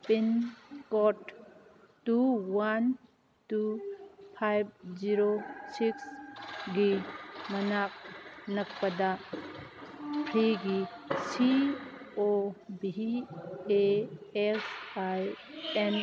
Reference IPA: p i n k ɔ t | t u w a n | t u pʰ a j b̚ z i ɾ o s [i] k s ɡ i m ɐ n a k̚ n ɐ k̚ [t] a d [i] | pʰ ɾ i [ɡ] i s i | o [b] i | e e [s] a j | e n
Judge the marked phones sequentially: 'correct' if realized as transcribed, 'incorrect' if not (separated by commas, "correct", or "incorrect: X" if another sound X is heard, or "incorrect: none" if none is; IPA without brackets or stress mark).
correct, incorrect: p, incorrect: a, correct, correct, correct